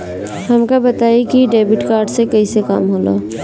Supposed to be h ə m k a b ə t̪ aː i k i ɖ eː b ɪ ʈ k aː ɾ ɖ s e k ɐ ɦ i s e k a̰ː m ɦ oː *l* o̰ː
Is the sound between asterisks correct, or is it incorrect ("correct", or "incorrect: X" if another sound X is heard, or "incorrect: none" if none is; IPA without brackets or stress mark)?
correct